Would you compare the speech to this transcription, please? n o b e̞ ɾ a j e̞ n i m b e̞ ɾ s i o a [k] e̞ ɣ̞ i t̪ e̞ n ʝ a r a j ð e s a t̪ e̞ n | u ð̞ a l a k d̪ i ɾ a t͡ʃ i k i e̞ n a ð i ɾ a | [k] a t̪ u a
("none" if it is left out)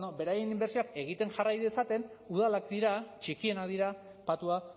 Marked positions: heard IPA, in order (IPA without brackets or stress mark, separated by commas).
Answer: k, p